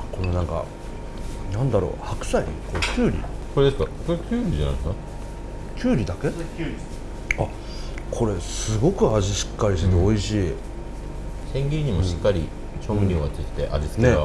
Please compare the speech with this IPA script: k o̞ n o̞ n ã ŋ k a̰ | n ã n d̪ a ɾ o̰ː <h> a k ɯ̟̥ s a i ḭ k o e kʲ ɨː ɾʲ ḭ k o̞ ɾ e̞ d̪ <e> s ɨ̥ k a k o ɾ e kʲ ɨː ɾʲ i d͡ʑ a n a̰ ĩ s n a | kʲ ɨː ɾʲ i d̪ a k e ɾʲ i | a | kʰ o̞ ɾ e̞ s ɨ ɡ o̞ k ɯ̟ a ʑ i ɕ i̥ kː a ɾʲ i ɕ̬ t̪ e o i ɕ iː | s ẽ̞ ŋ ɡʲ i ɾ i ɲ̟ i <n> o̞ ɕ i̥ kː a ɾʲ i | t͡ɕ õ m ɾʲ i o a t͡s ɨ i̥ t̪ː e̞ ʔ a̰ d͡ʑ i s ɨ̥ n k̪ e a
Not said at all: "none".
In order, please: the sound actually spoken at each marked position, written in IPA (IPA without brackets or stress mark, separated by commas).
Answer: h, e, m